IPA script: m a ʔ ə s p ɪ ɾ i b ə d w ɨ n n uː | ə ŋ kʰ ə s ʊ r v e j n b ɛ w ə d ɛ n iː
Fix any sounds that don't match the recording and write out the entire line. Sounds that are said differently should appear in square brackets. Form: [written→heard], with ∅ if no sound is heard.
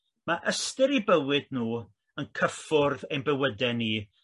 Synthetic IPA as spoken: m a ʔ ə s [p→t] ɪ ɾ i b ə [d→∅] w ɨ [n→d] n uː | ə [ŋ→n] kʰ ə [s→f] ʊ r [v→ð] e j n b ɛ w ə d ɛ n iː